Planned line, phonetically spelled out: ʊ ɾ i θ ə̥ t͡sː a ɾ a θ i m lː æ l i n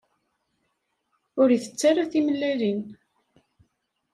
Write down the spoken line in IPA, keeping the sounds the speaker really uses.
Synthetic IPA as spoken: ʊ ɾ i θ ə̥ t͡sː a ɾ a θ i m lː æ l i n

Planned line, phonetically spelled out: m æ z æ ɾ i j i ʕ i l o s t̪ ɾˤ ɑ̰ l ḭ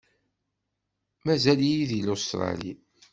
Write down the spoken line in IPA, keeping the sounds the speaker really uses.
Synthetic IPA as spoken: m æ z æ l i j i ð i l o s t̪ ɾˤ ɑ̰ l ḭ

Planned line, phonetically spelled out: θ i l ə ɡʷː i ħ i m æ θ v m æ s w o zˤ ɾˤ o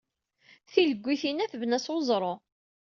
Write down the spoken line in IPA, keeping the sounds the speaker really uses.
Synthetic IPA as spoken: θ i l ə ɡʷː i θ i n æ θ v n æ s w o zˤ ɾˤ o

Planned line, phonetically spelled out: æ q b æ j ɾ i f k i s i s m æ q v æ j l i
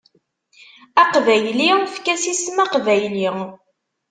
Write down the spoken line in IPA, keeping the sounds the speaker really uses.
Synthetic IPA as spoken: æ q v æ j l i f k æ s i s m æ q v æ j l i

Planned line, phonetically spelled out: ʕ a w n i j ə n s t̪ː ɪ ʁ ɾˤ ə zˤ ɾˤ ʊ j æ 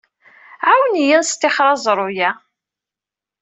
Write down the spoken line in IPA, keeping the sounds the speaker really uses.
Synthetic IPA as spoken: ʕ a w n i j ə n s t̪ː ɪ χ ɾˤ ɑ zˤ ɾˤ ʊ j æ

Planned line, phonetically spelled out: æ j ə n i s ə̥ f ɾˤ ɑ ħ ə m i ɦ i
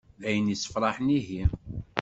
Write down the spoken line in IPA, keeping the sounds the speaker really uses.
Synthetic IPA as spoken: æ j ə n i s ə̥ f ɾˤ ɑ ħ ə n i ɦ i

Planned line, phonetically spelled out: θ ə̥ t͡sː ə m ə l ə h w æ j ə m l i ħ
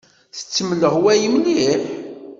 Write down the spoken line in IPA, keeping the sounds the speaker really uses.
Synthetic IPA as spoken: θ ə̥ t͡sː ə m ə l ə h w æ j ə m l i ħ

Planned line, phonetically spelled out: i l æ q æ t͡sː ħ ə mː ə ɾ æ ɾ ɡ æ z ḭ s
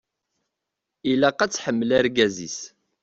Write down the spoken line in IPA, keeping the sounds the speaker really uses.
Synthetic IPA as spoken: i l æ q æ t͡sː ħ ə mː ə l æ ɾ ɡ æ z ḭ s

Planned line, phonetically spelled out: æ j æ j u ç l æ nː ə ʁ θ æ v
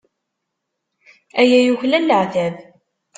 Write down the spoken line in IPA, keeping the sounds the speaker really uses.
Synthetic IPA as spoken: æ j æ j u ç l æ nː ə ʕ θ æ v

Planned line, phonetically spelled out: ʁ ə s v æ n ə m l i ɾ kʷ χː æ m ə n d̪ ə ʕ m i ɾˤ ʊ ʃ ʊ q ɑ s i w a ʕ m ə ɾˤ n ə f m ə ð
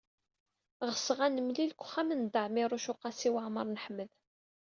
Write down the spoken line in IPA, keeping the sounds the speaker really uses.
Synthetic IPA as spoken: ʁ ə s ʁ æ n ə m l i l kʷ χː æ m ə n d̪ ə ʕ m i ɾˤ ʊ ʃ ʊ q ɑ s i w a ʕ m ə ɾˤ n ə ħ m ə ð

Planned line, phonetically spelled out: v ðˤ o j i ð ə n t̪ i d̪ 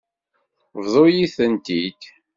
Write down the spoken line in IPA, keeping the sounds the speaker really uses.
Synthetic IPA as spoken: v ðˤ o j i θ ə n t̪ i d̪

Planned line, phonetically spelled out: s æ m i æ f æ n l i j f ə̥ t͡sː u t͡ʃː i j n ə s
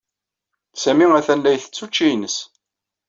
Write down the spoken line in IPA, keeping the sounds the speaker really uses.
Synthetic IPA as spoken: s æ m i æ θ æ n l æ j θ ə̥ t͡sː u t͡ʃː i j n ə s

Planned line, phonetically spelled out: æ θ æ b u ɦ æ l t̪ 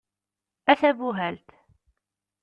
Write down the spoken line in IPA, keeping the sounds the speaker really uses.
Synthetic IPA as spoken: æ θ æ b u ɦ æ l t̪

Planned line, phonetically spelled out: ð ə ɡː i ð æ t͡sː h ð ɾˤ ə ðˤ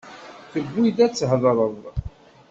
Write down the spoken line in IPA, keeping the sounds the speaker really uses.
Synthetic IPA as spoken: θ ə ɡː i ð æ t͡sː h ð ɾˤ ə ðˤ

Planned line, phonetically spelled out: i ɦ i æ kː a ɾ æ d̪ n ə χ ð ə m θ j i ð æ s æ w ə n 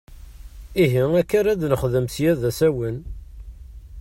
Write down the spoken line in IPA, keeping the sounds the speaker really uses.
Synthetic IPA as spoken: i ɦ i æ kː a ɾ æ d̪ n ə χ ð ə m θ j æ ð æ s æ w ə n

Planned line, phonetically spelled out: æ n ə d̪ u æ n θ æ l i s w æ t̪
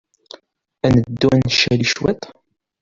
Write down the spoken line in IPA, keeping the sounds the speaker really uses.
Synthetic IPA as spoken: æ n ə d̪ː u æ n ʃ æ l i ʃ w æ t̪

